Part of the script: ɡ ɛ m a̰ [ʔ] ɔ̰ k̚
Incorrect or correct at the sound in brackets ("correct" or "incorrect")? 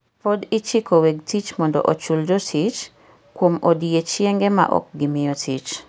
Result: correct